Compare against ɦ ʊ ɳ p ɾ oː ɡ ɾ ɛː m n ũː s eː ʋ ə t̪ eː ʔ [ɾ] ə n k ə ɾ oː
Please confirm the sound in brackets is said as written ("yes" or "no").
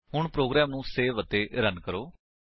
yes